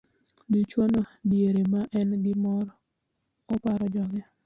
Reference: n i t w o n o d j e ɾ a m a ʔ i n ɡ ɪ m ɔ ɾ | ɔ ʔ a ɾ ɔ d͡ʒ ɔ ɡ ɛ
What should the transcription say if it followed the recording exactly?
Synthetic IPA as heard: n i t͡ʃ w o n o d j e ɾ e m a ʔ ɛ n ɡ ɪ m ɔ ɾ | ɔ p a ɾ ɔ d͡ʒ ɔ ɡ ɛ